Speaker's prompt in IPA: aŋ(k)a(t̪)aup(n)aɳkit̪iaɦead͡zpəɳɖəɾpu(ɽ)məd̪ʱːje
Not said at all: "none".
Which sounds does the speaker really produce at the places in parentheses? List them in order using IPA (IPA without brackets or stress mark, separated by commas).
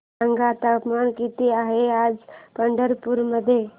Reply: ɡ, t̪, m, ɾ